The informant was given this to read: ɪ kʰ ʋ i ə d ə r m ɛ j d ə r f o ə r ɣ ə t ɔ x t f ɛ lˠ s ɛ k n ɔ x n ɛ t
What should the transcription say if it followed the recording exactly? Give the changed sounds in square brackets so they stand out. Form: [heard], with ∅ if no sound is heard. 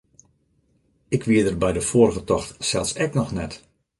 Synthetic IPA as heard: ɪ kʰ ʋ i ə d ə r [b] ɛ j d ə [∅] f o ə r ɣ ə t ɔ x t [s] ɛ lˠ s ɛ k n ɔ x n ɛ t